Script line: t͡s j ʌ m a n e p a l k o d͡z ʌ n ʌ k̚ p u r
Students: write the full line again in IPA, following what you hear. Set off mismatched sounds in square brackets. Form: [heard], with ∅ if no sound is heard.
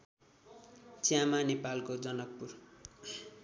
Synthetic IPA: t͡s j [a] m a n e p a l k o d͡z ʌ n ʌ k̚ p u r